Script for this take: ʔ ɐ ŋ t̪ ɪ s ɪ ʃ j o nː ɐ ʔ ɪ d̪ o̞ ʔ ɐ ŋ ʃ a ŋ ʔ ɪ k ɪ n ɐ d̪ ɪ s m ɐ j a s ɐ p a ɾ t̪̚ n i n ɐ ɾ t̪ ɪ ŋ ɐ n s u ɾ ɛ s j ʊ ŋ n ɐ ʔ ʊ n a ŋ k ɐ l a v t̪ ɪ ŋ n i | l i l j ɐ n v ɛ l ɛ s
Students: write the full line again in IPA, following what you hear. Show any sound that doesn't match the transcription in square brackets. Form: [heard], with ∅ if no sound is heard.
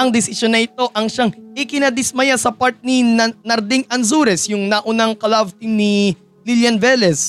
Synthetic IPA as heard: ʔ ɐ ŋ [d̪] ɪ s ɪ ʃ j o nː ɐ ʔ ɪ [t̪] o̞ ʔ ɐ ŋ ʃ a ŋ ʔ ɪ k ɪ n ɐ d̪ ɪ s m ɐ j a s ɐ p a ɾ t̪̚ n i n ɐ ɾ [d̪] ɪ ŋ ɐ n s u ɾ ɛ s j ʊ ŋ n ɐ ʔ ʊ n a ŋ k ɐ l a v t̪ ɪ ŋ n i | l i l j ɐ n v ɛ l ɛ s